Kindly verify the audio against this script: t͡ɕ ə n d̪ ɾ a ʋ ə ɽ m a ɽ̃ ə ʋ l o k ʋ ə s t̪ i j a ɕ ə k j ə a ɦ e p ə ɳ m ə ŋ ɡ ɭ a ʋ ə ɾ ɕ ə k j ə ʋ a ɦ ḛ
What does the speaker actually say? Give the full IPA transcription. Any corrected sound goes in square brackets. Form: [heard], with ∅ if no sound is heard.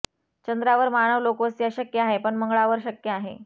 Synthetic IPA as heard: t͡ɕ ə n d̪ ɾ a ʋ ə [ɾ] m a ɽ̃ ə ʋ l o k ʋ ə s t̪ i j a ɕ ə k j ə a ɦ e p ə ɳ m ə ŋ ɡ ɭ a ʋ ə ɾ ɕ ə k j ə [∅] a ɦ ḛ